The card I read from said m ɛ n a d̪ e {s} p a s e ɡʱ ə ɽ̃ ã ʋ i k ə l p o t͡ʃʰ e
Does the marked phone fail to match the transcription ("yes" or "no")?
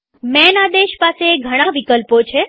yes